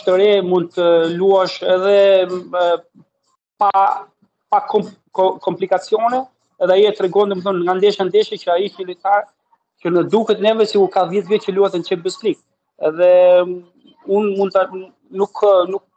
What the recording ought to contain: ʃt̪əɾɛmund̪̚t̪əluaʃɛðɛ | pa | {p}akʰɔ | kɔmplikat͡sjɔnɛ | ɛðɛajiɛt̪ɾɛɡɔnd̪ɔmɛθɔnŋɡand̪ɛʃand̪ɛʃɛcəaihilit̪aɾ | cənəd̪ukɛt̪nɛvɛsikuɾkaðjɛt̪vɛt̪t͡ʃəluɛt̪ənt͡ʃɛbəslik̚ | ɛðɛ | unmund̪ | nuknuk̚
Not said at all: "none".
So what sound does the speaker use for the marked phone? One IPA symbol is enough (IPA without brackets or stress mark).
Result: p